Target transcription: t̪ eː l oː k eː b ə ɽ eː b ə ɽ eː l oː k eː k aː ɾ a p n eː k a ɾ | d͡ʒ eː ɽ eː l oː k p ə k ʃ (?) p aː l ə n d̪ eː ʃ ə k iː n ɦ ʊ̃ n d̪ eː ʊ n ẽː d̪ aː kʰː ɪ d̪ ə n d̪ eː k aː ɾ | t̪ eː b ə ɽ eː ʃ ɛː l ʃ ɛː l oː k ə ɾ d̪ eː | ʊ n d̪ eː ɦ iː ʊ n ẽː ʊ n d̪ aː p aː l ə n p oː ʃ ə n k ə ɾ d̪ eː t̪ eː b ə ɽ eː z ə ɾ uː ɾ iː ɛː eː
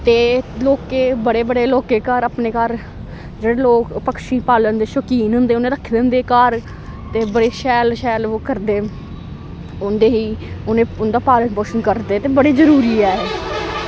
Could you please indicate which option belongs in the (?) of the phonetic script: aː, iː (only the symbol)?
iː